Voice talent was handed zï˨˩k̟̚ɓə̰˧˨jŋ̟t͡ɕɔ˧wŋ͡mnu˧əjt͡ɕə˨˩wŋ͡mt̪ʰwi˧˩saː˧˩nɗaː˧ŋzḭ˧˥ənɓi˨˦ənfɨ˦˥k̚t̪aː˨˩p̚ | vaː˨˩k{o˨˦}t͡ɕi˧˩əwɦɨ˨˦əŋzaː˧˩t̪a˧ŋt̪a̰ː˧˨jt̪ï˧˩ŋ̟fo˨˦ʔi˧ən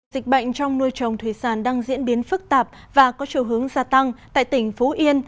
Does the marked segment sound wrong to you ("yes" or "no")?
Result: yes